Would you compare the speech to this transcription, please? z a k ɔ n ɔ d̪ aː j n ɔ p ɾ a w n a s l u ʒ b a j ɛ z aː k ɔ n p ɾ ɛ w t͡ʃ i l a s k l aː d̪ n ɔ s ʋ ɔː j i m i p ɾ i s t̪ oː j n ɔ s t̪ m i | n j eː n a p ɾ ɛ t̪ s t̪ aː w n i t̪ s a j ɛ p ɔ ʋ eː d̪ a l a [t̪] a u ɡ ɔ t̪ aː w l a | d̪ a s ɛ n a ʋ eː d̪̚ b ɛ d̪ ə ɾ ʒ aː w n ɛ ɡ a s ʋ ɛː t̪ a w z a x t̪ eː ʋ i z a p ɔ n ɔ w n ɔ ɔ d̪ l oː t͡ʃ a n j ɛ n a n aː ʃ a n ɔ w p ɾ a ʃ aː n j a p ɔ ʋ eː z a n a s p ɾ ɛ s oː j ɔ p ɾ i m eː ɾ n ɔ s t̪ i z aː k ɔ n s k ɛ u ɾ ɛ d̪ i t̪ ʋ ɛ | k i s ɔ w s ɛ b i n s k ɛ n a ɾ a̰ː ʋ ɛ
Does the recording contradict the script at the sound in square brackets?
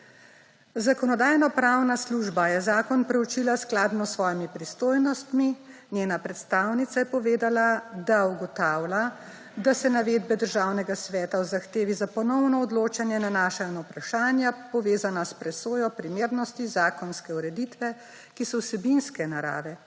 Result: yes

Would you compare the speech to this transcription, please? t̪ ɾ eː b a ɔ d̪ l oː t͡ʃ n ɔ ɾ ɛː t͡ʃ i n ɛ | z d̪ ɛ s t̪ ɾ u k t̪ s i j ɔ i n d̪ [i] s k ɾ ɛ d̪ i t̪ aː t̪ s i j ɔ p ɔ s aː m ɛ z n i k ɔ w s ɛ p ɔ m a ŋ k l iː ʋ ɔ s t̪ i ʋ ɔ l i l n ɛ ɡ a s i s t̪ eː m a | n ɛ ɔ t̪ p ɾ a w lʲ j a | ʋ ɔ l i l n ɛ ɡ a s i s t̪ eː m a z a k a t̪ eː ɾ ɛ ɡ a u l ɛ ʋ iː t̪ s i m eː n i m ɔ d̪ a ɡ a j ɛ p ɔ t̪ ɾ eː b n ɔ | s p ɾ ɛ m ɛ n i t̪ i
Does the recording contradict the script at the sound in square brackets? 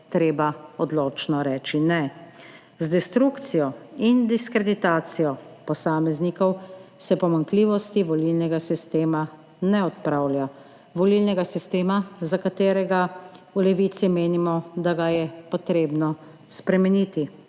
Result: no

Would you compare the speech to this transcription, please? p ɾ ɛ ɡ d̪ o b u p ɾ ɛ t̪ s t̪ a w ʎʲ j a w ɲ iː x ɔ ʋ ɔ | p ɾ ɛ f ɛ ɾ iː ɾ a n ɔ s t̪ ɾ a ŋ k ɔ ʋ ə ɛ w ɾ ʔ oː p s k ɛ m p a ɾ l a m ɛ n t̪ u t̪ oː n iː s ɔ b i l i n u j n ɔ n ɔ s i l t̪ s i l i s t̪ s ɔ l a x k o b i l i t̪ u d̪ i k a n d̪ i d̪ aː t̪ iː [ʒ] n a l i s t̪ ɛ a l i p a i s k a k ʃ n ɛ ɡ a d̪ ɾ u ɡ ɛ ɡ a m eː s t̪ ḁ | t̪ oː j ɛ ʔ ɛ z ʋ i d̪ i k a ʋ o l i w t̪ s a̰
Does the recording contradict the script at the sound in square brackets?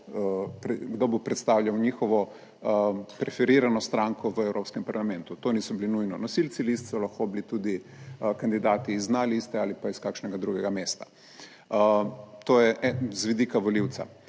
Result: yes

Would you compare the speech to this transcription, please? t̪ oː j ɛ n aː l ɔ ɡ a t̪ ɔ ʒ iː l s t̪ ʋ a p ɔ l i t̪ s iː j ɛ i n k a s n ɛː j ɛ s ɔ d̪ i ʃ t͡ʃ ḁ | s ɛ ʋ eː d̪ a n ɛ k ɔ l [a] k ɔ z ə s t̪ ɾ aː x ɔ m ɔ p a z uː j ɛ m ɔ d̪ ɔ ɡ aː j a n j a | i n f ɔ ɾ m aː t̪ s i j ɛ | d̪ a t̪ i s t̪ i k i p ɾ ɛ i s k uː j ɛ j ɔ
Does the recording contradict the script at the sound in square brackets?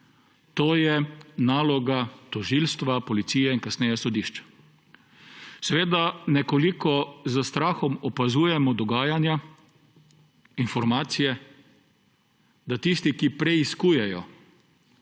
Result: yes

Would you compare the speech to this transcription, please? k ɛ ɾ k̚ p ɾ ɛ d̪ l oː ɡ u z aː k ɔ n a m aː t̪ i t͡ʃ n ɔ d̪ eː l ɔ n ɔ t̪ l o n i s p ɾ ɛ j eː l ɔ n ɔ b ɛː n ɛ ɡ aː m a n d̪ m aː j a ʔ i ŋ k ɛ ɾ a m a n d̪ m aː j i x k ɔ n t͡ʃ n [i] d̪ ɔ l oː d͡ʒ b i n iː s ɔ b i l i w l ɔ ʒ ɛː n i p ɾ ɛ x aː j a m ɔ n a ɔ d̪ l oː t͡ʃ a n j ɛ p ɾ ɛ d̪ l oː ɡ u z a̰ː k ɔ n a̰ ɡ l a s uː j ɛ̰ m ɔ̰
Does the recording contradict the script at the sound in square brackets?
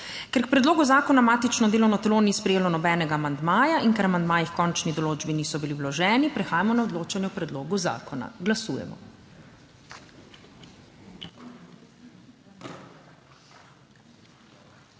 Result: no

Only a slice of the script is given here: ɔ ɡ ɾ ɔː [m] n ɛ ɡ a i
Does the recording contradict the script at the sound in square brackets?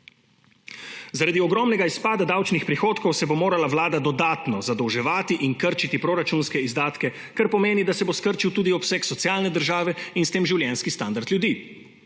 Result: no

